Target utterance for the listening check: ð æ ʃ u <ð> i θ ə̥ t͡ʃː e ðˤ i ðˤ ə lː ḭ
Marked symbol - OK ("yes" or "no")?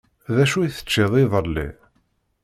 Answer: no